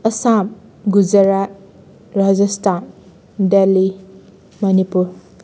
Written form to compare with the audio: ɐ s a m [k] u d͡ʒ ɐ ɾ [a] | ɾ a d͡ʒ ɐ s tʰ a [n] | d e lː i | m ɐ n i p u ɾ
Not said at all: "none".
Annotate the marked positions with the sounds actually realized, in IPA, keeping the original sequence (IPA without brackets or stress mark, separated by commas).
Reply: ɡ, a, n